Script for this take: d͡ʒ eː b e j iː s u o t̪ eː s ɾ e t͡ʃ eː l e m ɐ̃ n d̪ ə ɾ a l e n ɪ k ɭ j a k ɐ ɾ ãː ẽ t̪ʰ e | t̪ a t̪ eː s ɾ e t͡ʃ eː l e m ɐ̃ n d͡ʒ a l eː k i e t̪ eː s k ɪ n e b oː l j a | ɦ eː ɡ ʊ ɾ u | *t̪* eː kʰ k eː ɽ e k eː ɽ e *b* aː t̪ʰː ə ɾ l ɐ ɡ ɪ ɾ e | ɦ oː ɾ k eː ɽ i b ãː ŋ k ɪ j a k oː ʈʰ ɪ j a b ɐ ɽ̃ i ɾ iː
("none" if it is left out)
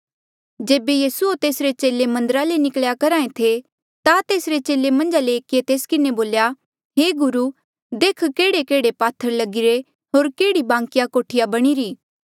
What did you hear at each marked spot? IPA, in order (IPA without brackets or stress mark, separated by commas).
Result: d̪, p